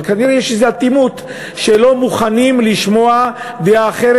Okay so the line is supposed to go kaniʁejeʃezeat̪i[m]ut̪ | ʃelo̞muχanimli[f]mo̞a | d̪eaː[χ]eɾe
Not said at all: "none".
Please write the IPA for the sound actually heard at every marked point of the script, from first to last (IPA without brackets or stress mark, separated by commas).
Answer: m, ʃ, χ